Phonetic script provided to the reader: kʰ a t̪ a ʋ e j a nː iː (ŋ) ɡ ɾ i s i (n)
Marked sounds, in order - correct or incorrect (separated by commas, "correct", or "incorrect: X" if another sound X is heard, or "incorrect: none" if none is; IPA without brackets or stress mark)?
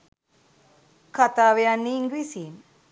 correct, correct